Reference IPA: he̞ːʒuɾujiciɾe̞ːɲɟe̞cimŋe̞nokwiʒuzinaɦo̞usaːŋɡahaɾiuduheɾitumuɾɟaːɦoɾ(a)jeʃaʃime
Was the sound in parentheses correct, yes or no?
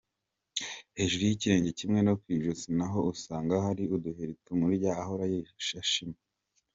yes